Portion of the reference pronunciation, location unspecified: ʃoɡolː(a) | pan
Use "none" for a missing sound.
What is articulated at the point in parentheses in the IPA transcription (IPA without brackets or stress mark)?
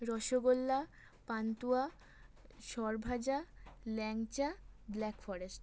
a